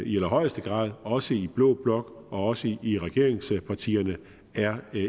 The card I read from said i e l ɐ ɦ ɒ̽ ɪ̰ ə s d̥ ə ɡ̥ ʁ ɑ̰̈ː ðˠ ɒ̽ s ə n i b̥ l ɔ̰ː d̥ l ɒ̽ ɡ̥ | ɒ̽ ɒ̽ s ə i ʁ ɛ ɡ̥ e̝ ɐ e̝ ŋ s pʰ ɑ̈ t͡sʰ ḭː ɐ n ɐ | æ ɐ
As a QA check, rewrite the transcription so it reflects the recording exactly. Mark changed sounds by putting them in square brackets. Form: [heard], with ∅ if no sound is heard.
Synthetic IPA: i e l ɐ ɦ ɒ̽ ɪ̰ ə s d̥ ə ɡ̥ ʁ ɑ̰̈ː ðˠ ɒ̽ s ə [∅] i b̥ l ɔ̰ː [b̥] l ɒ̽ ɡ̥ | ɒ̽ ɒ̽ s ə i ʁ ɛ ɡ̥ e̝ ɐ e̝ ŋ s pʰ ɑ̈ t͡sʰ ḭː ɐ n [ə] | æ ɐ